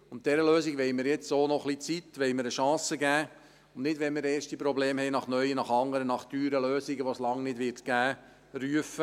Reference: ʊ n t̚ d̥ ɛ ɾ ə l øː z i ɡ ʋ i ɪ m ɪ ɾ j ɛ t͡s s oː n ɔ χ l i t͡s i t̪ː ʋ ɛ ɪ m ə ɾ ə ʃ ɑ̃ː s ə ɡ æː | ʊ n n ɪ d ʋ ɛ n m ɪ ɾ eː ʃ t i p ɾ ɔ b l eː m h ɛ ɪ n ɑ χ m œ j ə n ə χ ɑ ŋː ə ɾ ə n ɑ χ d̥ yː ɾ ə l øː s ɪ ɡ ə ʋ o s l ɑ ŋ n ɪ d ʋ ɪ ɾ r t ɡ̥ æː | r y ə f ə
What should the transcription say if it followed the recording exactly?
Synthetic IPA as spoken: ʊ n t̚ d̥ ɛ ɾ ə l øː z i ɡ ʋ ɛ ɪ m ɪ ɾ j ɛ t͡s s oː n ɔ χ l i t͡s i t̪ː ʋ ɛ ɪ m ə ɾ ə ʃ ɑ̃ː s ə ɡ æː | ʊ n n ɪ d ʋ ɛ n m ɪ ɾ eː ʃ t i p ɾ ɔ b l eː m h ɛ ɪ n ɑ χ n œ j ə n ɑ χ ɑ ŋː ə ɾ ə n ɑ χ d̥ yː ɾ ə l øː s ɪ ɡ ə ʋ o s l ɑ ŋ n ɪ d ʋ ɪ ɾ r t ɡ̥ æː | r y ə f ə